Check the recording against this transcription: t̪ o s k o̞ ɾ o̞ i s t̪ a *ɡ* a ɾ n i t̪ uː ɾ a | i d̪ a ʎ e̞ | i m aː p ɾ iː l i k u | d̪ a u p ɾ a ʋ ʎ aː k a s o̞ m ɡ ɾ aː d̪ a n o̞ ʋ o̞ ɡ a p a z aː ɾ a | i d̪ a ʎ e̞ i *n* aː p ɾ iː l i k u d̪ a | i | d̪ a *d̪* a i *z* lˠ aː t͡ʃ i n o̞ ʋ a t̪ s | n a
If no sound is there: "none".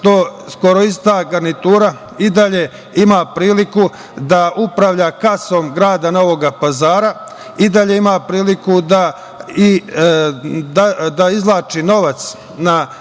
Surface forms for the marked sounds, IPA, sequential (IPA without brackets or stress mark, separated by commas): ɡ, m, d̪, z